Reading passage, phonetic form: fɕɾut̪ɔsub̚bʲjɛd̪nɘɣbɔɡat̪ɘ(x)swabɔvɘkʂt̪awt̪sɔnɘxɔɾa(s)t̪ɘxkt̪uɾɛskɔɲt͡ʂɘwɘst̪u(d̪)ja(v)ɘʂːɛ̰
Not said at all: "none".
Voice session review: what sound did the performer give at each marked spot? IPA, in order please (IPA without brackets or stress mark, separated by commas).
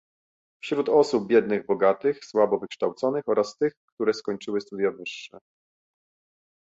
x, s, d̪, v